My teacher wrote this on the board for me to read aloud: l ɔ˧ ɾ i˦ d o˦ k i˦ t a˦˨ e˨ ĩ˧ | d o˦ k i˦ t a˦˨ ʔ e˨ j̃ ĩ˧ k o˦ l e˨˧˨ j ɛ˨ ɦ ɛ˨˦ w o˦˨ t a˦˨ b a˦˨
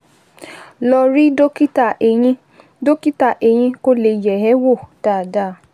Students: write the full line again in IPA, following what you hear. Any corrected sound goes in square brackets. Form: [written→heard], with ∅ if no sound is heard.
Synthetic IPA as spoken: l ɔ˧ ɾ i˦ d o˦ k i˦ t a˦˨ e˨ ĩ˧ | d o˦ k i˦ t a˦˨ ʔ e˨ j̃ ĩ˧ k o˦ l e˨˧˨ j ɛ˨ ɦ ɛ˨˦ w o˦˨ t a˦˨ [b→d] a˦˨